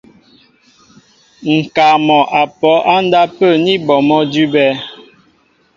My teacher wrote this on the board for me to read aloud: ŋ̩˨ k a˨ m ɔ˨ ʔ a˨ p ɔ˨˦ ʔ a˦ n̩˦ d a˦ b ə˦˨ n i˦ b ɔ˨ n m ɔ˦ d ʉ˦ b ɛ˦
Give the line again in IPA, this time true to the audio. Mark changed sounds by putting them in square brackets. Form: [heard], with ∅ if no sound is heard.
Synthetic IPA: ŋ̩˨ k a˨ m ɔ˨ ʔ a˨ p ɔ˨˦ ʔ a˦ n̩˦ d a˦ [p] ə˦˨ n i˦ b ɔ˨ [∅] m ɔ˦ d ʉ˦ b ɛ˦